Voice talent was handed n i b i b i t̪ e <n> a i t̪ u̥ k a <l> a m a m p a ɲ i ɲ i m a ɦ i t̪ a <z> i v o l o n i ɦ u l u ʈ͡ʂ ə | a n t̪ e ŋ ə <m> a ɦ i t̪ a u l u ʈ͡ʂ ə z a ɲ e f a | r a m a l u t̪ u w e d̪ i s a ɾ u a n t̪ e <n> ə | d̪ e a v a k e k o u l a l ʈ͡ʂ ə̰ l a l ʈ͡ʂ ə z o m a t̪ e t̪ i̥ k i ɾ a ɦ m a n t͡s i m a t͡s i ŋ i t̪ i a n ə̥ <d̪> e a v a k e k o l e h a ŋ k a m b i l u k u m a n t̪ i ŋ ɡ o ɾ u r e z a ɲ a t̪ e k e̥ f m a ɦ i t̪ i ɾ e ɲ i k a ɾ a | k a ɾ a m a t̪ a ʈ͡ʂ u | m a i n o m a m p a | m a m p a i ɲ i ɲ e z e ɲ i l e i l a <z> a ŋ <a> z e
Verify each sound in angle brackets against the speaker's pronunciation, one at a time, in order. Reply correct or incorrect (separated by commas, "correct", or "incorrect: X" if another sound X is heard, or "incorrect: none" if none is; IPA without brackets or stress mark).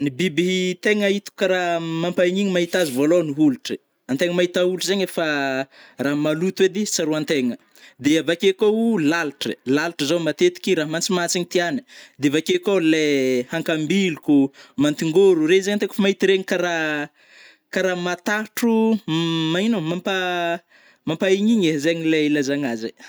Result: incorrect: ŋ, incorrect: ɾ, correct, correct, incorrect: ŋ, correct, correct, correct